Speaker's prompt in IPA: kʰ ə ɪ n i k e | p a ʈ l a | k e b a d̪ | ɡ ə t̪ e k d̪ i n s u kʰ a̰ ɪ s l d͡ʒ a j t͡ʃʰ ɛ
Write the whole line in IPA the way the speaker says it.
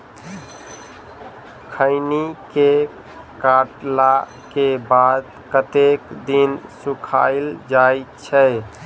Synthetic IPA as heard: kʰ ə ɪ n i k e | k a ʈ l a | k e b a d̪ | k ə t̪ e k d̪ i n s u kʰ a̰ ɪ l d͡ʒ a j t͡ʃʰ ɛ